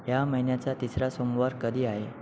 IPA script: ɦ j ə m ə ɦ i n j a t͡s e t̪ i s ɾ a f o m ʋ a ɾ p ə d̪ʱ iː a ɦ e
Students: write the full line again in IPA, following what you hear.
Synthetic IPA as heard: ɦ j a m ə ɦ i n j a t͡s a t̪ i s ɾ a s o m ʋ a ɾ k ə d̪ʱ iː a ɦ e